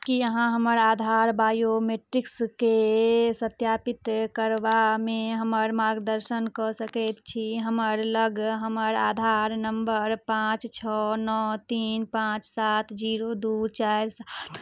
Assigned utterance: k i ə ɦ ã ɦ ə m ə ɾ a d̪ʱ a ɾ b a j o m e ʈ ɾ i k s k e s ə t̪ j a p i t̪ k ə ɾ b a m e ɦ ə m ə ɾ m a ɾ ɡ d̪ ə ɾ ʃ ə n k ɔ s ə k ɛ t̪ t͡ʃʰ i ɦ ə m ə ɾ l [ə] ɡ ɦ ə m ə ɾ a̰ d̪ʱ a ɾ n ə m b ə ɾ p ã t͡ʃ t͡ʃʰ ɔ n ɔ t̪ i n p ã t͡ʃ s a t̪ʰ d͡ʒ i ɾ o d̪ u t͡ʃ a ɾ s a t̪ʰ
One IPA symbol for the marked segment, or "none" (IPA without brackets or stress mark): ə